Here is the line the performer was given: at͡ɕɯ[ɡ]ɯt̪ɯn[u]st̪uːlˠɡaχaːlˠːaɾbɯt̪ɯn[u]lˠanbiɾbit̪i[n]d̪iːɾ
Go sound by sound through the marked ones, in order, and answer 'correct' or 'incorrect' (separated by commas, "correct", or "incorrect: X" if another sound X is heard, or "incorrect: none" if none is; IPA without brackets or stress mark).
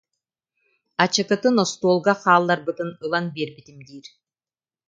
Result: incorrect: k, incorrect: ɔ, incorrect: ɯ, incorrect: m